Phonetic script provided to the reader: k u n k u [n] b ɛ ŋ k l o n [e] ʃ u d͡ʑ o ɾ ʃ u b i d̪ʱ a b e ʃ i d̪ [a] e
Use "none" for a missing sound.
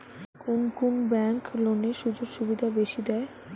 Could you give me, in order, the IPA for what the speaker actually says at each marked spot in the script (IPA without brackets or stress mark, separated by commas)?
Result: n, e, ɛ